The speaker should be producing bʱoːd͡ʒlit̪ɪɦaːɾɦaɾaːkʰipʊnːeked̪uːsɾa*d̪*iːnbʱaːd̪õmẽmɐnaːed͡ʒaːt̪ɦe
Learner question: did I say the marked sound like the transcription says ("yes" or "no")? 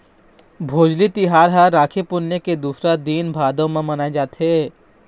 yes